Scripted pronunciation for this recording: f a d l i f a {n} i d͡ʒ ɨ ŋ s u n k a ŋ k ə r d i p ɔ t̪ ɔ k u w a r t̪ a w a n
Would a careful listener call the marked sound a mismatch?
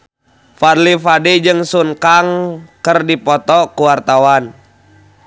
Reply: yes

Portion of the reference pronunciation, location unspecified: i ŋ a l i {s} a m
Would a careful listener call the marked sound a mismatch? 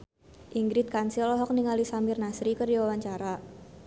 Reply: no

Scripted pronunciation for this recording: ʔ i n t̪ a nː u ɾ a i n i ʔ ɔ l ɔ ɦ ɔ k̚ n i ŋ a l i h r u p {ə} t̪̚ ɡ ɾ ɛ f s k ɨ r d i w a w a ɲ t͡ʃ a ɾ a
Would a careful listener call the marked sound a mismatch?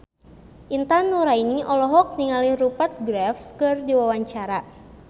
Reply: yes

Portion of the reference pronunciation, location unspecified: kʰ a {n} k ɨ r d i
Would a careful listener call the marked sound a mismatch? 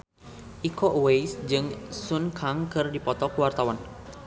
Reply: yes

